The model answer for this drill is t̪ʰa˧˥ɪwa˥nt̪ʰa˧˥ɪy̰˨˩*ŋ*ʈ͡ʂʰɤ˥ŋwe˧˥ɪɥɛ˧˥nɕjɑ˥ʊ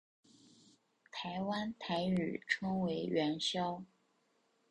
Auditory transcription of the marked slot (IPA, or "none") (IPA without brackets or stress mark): none